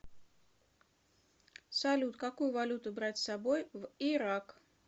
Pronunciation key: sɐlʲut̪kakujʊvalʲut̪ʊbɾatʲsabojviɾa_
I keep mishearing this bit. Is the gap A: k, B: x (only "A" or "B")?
A